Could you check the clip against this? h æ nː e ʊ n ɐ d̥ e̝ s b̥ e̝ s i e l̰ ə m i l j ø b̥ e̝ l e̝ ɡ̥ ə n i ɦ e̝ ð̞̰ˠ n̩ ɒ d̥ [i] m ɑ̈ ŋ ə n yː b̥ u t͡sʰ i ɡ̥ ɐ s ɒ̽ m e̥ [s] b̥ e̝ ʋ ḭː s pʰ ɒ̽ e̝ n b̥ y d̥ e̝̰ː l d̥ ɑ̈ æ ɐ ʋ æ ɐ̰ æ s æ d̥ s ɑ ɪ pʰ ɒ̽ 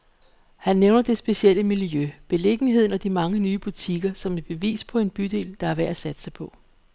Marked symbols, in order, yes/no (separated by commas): yes, no